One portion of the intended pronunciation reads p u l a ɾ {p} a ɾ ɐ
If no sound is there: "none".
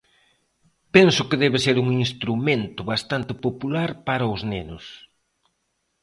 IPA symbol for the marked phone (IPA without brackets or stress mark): p